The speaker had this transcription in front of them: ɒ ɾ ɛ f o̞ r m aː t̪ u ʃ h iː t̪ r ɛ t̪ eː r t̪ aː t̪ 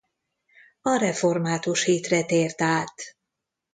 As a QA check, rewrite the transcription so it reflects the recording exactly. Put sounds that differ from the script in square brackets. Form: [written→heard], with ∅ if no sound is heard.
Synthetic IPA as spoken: ɒ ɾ ɛ f o̞ r m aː t̪ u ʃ h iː t̪ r ɛ t̪ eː r t̪ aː t̪